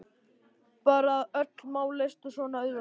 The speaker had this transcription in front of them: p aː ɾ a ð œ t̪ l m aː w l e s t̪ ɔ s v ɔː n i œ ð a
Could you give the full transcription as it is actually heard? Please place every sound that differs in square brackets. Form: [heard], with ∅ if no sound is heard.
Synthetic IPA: p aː ɾ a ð œ t̪ l m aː w l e s t̪ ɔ s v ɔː n [a] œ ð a